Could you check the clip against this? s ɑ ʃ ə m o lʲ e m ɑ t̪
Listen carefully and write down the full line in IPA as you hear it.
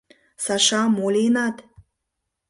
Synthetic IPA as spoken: s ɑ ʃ ɑ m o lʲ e n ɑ t̪